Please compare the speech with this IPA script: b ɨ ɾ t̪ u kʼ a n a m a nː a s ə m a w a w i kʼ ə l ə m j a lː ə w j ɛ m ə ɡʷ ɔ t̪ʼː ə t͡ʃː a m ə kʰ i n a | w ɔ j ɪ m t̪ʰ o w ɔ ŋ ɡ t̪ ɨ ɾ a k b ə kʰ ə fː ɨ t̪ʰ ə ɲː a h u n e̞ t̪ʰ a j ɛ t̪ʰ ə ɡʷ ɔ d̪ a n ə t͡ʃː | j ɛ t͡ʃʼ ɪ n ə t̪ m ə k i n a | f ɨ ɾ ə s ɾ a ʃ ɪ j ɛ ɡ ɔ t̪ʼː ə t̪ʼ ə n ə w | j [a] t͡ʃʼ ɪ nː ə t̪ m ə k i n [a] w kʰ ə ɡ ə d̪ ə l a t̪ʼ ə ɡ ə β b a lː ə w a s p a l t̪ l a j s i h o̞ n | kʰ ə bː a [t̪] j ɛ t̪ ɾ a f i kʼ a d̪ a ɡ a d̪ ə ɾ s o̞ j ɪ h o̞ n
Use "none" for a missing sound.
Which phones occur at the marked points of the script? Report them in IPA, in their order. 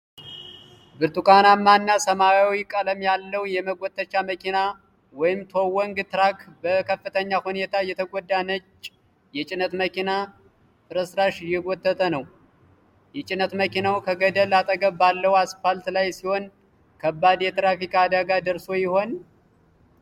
ɛ, a, d̪

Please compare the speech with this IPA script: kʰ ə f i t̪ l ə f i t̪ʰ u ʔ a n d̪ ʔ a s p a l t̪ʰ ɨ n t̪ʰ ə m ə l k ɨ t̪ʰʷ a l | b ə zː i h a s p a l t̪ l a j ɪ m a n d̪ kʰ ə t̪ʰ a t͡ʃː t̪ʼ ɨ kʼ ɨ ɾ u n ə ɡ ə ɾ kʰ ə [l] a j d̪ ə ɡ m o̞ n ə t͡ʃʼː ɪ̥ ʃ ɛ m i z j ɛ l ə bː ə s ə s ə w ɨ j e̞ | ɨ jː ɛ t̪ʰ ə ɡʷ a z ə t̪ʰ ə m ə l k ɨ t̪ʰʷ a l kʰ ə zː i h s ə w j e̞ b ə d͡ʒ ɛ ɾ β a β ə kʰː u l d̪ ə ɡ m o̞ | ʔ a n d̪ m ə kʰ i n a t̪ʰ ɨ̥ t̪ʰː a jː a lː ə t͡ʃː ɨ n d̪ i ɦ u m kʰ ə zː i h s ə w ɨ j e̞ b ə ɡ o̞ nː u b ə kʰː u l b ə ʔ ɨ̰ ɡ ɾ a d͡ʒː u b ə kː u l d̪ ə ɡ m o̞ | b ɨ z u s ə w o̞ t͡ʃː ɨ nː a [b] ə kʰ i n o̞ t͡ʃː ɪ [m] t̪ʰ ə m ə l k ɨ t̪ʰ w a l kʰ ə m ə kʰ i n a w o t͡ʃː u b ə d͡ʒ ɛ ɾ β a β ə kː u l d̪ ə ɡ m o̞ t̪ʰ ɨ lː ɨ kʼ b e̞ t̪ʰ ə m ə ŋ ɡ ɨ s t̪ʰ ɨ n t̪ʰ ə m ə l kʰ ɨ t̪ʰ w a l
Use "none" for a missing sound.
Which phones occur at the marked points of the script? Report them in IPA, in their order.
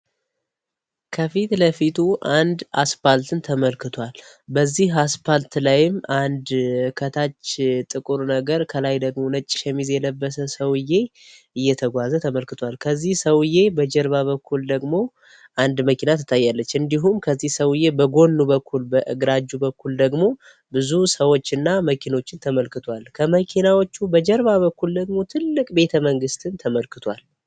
l, m, n

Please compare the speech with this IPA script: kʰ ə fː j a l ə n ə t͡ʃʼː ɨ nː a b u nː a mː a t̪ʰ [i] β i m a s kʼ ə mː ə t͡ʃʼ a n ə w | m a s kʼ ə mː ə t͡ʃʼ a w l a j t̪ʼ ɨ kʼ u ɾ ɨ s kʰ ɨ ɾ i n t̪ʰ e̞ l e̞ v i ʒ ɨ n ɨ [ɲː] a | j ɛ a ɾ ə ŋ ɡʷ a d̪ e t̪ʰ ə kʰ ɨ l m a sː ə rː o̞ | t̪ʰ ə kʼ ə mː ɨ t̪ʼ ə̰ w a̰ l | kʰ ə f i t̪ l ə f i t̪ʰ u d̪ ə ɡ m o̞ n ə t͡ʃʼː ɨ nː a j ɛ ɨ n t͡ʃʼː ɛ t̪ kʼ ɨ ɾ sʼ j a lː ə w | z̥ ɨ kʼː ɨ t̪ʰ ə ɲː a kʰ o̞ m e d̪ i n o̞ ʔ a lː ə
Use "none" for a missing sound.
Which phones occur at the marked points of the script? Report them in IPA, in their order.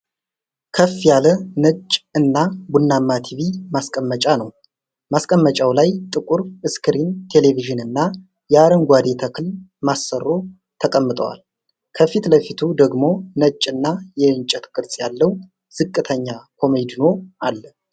i, nː

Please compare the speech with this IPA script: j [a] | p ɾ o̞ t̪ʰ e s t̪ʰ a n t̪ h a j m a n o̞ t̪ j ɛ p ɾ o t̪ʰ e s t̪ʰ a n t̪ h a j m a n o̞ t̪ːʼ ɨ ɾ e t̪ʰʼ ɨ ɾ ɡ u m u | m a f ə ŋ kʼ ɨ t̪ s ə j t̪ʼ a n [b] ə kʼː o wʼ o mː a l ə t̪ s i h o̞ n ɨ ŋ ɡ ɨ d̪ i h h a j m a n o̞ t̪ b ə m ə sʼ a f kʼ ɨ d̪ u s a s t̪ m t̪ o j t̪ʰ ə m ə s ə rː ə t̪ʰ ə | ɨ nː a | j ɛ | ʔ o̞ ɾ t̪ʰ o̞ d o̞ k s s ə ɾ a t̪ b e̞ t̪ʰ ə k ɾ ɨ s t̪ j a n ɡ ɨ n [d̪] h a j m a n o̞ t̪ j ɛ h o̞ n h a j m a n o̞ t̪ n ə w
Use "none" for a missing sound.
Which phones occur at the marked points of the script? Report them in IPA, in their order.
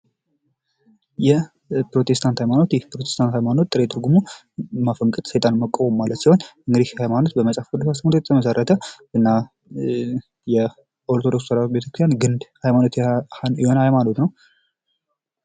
ɛ, m, d̪

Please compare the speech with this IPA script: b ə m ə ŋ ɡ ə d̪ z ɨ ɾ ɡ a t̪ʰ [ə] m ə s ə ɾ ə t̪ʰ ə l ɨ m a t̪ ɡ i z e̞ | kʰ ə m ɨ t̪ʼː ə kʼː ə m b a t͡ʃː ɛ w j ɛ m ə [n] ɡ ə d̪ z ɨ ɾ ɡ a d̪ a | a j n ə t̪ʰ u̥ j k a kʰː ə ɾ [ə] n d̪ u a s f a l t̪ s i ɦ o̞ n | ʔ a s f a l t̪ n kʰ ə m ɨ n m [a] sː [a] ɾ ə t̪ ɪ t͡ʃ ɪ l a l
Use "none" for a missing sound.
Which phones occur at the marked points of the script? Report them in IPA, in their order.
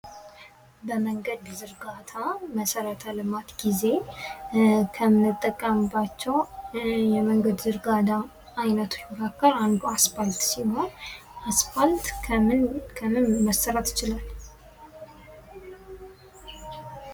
a, ŋ, a, ə, ə

